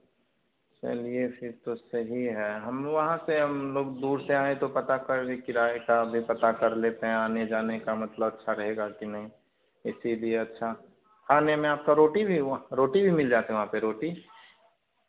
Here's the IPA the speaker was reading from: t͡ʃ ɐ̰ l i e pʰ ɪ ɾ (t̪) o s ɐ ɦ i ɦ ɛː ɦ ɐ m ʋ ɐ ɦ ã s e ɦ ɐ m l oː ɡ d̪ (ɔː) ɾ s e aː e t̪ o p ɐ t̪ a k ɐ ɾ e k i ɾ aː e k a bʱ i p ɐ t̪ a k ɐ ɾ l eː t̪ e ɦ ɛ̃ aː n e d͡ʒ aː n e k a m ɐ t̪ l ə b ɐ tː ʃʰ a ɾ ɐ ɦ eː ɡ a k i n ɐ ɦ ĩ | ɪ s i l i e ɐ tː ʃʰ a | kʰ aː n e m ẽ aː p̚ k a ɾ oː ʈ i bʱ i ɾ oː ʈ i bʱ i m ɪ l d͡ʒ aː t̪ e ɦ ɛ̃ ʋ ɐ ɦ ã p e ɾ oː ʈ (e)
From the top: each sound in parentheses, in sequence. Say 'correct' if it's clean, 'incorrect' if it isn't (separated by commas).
correct, incorrect, incorrect